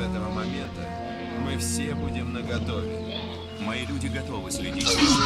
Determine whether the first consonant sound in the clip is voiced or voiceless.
voiceless